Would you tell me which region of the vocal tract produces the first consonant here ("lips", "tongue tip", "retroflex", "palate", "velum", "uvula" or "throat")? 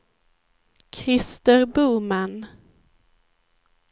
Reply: velum